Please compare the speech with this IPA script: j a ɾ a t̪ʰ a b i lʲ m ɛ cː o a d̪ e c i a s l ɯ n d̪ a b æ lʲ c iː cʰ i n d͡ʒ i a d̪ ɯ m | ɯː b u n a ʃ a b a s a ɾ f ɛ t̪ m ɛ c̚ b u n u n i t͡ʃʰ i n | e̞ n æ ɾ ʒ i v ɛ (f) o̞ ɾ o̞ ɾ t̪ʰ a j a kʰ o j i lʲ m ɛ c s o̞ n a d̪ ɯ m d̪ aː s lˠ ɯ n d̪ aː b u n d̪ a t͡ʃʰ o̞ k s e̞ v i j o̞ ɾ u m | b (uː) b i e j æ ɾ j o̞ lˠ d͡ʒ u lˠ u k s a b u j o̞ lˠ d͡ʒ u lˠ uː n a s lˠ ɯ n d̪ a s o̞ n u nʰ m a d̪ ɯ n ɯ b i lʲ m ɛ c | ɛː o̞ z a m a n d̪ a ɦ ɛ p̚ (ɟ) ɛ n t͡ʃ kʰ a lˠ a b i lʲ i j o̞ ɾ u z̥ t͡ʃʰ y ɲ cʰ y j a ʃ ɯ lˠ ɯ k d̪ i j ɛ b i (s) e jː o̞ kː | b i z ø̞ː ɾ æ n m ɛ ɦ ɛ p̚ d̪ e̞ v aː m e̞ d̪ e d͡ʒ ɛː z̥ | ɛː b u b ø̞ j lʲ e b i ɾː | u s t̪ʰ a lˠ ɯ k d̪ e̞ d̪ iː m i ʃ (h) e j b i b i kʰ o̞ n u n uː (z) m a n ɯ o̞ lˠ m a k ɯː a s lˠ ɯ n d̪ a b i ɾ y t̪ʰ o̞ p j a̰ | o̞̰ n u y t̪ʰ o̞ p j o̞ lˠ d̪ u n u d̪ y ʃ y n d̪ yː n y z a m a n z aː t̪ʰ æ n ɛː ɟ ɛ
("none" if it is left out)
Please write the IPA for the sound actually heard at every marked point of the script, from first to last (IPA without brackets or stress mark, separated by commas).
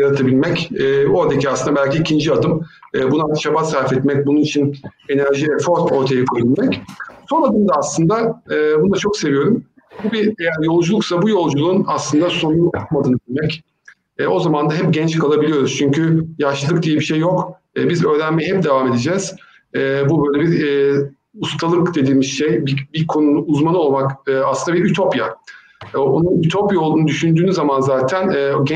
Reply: f, u, ɟ, ʃ, ʃ, z